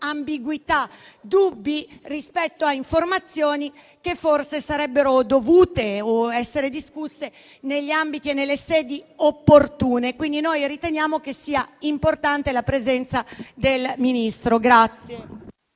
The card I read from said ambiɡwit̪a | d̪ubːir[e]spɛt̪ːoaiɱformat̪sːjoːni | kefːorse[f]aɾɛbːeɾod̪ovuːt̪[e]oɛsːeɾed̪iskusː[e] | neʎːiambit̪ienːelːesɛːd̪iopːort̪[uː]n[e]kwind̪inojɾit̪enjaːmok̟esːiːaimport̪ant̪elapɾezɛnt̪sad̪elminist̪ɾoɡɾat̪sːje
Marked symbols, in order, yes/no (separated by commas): no, no, yes, yes, yes, yes